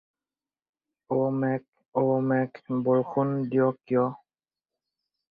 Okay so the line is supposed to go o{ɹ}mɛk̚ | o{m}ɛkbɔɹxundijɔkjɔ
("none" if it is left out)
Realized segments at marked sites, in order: none, m

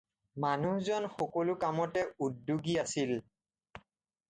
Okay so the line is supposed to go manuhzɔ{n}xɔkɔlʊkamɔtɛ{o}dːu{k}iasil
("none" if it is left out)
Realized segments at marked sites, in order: n, u, ɡ

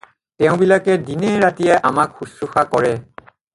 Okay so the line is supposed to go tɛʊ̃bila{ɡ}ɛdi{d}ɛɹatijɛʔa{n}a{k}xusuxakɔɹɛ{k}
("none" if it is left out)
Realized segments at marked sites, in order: k, n, m, k, none

